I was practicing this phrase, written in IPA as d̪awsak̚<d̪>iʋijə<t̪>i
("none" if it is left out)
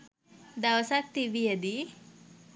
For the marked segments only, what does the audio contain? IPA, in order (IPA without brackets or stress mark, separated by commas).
t̪, d̪